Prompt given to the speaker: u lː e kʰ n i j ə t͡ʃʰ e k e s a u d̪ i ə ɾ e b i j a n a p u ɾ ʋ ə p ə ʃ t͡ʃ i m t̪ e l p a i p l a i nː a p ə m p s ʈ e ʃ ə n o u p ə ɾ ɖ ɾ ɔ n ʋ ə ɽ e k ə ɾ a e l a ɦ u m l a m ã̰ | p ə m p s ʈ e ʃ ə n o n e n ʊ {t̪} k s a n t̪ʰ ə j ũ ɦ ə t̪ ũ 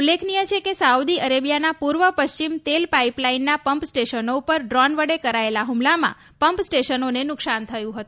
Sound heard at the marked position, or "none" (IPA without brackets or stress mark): none